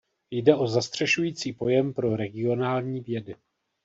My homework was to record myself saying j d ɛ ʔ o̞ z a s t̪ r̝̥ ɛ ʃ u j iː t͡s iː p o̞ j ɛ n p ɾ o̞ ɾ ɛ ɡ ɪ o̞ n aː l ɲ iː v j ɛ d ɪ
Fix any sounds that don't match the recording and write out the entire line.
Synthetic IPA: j d ɛ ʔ o̞ z a s t̪ r̝̥ ɛ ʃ u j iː t͡s iː p o̞ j ɛ m p ɾ o̞ ɾ ɛ ɡ ɪ o̞ n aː l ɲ iː v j ɛ d ɪ